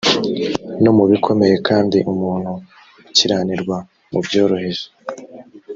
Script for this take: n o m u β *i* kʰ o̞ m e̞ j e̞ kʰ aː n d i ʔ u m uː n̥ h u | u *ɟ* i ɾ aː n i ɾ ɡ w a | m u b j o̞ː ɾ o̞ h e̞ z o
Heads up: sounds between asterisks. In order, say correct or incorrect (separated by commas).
correct, incorrect